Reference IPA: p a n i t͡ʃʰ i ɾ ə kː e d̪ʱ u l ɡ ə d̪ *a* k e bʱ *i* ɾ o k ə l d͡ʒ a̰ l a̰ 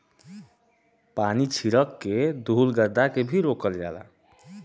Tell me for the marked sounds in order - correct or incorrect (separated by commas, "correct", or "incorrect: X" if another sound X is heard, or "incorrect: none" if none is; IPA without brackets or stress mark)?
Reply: correct, correct